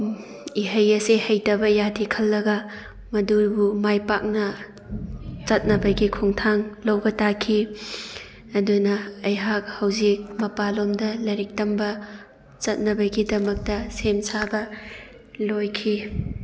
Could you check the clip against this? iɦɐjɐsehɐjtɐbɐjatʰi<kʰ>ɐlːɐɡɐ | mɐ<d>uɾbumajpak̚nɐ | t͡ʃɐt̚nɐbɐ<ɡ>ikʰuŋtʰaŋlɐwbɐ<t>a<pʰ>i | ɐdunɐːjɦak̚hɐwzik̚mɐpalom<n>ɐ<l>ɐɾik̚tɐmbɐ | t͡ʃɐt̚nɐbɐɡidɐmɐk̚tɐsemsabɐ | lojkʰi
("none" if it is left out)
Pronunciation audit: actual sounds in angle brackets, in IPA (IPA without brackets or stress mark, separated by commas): kʰ, d, ɡ, t, kʰ, d, l